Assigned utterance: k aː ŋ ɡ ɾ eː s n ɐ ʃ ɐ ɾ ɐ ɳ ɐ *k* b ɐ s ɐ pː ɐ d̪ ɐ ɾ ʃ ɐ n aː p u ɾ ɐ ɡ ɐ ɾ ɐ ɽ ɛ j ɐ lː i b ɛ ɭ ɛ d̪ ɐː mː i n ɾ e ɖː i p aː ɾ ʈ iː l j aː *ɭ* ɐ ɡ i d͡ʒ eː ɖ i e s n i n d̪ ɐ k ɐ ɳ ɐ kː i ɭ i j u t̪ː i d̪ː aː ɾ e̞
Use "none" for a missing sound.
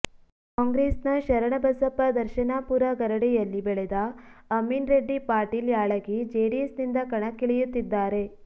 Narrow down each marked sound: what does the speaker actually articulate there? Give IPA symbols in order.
none, ɭ

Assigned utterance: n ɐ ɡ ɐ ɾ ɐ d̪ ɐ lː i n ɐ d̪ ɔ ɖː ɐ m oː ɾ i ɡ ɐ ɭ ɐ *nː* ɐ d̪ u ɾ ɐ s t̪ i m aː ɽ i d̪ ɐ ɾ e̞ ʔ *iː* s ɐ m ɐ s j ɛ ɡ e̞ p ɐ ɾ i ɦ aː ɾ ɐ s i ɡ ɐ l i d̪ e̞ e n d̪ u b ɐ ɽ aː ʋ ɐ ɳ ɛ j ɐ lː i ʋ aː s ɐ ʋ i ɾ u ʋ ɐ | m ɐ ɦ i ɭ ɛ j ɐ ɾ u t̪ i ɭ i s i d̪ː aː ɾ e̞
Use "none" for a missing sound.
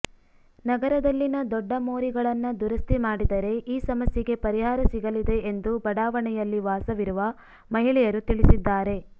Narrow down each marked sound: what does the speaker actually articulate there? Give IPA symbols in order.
nː, iː

